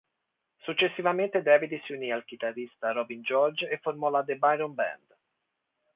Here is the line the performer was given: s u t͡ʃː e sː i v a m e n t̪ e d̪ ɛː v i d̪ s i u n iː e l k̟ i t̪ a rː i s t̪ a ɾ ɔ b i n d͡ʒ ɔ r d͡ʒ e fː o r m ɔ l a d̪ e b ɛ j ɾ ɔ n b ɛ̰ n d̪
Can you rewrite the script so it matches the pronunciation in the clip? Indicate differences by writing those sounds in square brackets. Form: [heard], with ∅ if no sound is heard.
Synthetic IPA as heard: s u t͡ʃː e sː i v a m e n t̪ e d̪ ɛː v i d̪ s i u n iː [a] l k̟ i t̪ a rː i s t̪ a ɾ ɔ b i n d͡ʒ ɔ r d͡ʒ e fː o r m ɔ l a d̪ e b [a] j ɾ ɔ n b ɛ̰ n d̪